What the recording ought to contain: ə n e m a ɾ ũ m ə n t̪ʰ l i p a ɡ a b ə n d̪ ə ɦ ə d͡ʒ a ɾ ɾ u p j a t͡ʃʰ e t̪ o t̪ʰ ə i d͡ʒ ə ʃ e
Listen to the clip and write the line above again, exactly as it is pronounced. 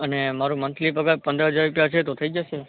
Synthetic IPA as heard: ə n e m a ɾ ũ m ə n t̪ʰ l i p ə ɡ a p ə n d̪ ə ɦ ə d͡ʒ a ɾ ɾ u p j a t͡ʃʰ e t̪ o t̪ʰ ə i d͡ʒ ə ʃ e